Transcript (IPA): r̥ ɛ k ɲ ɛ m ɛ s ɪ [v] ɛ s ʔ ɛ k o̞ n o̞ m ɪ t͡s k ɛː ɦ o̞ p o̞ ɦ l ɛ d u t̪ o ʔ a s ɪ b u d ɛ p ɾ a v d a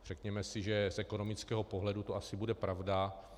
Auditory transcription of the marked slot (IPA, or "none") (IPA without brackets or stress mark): ʒ